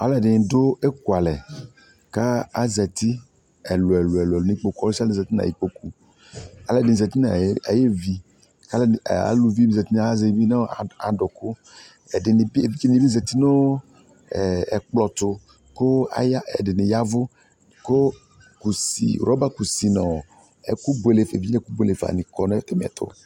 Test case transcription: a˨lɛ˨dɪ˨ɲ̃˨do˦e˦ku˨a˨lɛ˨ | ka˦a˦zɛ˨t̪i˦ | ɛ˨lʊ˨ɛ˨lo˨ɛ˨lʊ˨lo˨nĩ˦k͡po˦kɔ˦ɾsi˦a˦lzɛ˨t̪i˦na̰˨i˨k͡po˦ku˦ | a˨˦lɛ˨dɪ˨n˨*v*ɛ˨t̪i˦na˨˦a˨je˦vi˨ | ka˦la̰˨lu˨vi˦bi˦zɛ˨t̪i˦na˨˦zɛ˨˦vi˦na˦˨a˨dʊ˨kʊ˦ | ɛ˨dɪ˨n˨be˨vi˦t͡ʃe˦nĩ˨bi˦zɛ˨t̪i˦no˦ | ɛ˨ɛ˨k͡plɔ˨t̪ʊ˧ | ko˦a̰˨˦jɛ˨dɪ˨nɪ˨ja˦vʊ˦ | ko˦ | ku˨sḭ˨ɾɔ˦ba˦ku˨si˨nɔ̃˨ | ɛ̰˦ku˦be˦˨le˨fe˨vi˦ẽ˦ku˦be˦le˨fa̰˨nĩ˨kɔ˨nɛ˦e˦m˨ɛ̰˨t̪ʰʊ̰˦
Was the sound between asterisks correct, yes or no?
no